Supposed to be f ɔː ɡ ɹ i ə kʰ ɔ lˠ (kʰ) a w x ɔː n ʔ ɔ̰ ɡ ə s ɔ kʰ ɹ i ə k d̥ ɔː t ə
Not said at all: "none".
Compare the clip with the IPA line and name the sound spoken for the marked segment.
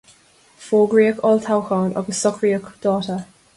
tʰ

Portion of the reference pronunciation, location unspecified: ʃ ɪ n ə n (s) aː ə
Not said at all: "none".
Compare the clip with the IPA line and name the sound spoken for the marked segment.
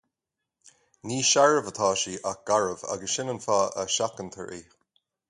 f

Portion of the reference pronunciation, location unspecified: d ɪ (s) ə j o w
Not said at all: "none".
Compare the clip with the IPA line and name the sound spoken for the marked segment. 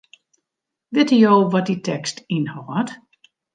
t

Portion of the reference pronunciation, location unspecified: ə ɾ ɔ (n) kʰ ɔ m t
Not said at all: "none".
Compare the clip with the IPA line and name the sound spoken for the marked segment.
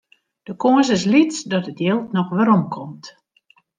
m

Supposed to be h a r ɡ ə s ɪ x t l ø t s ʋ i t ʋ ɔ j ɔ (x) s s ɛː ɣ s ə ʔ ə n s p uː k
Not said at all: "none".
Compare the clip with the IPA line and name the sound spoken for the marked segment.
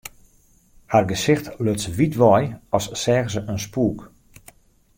none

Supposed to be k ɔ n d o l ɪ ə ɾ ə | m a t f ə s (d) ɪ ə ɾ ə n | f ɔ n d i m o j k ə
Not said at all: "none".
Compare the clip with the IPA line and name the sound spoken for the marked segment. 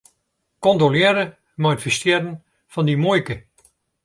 t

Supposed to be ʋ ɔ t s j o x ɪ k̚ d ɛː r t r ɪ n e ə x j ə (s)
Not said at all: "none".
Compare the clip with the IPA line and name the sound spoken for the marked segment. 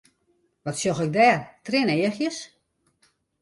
s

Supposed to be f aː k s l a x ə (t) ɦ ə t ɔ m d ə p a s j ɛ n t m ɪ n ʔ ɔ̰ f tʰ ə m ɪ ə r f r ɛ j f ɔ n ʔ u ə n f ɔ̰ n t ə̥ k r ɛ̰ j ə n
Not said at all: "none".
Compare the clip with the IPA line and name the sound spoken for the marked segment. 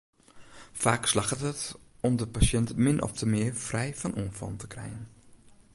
t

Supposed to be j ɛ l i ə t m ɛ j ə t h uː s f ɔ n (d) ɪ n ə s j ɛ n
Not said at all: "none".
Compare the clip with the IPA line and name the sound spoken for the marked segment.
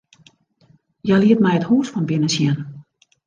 b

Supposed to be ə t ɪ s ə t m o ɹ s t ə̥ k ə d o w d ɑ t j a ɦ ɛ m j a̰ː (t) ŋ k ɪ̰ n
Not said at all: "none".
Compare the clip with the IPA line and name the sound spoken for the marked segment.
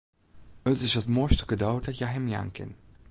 none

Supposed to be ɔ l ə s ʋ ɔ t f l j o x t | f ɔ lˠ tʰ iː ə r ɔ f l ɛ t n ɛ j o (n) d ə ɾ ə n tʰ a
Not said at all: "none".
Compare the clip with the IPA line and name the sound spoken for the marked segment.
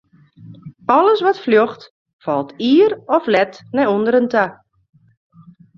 n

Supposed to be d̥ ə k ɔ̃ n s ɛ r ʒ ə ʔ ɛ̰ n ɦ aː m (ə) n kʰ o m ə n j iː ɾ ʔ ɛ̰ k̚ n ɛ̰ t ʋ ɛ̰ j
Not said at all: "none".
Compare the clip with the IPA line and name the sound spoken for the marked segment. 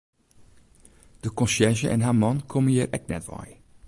ɑ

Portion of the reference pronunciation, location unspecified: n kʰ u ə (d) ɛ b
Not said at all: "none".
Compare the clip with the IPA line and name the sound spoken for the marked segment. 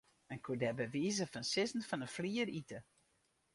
d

